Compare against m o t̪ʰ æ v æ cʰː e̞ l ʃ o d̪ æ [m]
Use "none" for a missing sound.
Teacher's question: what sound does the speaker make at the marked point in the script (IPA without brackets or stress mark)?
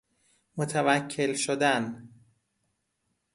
n